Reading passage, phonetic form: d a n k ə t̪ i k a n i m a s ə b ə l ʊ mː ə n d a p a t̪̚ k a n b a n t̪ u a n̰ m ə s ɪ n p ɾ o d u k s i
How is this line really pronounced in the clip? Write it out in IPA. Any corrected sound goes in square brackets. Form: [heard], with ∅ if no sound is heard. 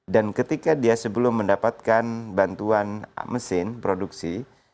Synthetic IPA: d a n k ə t̪ i k a [d] i [∅] a s ə b ə l ʊ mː ə n d a p a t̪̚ k a n b a n t̪ u a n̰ m ə s ɪ n p ɾ o d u k s i

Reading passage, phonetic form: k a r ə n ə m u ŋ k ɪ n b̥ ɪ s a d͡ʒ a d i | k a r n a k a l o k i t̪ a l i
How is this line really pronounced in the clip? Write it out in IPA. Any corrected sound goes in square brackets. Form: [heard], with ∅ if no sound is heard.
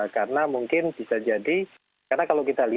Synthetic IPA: k a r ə n [a] m u ŋ k ɪ n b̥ [i] s a d͡ʒ a d i | k a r n a k a l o k i t̪ a l i

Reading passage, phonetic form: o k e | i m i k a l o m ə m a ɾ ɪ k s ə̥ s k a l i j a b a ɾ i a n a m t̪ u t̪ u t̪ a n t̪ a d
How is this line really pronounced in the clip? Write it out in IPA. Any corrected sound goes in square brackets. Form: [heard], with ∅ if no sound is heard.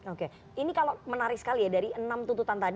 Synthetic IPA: o k e | i [n] i k a l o m ə [n] a ɾ ɪ k s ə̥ [∅] k a l i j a [d] a ɾ i [ə] n a m t̪ u t̪ u t̪ a n t̪ a d

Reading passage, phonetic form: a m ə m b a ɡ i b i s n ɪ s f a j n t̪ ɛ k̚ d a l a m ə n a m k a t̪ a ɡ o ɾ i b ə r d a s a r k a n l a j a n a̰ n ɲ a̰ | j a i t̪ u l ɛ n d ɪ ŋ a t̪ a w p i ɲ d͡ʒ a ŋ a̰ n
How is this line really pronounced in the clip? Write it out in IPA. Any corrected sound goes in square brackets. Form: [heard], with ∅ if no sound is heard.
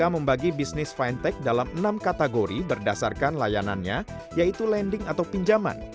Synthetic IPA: a m ə m b a ɡ i b i s n ɪ s f a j n t̪ ɛ k̚ d a l a m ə n a m k a t̪ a ɡ o ɾ i b ə r d a s a r k a n l a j a n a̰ n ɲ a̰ | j a i t̪ u l ɛ n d ɪ ŋ a t̪ a w p i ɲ d͡ʒ a [m] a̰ n

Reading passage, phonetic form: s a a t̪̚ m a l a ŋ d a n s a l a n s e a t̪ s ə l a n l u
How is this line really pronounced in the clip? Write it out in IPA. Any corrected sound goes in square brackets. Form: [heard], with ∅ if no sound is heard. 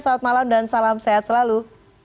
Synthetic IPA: s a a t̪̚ m a l a [m] d a n s a l a [m] s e a t̪ s ə l a [∅] l u

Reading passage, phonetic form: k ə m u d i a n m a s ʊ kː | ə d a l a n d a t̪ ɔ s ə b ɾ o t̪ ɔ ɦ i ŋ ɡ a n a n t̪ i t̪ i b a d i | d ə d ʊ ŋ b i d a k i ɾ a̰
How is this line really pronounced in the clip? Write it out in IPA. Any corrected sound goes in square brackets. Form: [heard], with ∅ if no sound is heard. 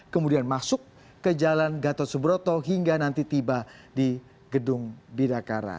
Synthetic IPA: k ə m u d i a n m a s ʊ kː | ə [d͡ʒ] a l a n [ɡ] a t̪ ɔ s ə b ɾ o t̪ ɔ ɦ i ŋ ɡ a n a n t̪ i t̪ i b a d i | [ɡ] ə d ʊ ŋ b i d a k [a] ɾ a̰

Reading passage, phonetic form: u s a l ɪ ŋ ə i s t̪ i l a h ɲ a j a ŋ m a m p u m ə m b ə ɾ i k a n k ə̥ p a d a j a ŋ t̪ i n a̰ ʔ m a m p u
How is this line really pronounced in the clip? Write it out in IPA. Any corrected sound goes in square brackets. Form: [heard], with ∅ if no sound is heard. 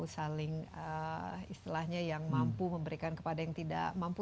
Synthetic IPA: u s a l ɪ ŋ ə i s t̪ i l a h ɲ a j a ŋ m a m p u m ə m b ə ɾ i k a n k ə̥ p a d a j a ŋ t̪ i [d] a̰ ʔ m a m p u

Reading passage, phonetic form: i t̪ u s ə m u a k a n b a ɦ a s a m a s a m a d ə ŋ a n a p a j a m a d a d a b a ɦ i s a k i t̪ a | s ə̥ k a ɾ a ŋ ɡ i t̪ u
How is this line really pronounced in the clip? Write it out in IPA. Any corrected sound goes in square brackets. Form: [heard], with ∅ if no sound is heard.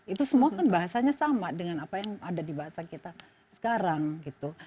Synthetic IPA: i t̪ u s ə m u a k a n b a ɦ a s a [ɲ] a s a m a d ə ŋ a n a p a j a [ŋ] a d a d [i] b a ɦ [a] s a k i t̪ a | s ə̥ k a ɾ a ŋ ɡ i t̪ u

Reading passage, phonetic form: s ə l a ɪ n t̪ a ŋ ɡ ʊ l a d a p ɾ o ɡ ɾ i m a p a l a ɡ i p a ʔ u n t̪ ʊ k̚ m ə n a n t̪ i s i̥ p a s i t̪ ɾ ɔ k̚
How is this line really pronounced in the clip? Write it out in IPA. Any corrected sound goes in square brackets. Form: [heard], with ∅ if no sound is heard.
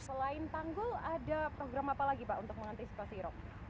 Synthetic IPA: s ə l a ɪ n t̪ a ŋ ɡ ʊ l a d a p ɾ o ɡ ɾ [a] m a p a l a ɡ i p a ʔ u n t̪ ʊ k̚ m ə [ŋ] a n t̪ i s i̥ p a s i [∅] ɾ ɔ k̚

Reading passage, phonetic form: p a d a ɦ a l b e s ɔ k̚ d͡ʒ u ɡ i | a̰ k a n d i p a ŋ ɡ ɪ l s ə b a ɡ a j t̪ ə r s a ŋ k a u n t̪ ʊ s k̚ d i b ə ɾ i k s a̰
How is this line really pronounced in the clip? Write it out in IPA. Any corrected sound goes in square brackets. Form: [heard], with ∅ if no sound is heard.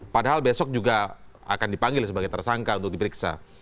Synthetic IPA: p a d a ɦ a l b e s ɔ k̚ d͡ʒ u ɡ [a] | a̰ k a n d i p a ŋ ɡ ɪ l s ə b a ɡ a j t̪ ə r s a ŋ k a u n t̪ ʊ [∅] k̚ d i [p] ə ɾ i k s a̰

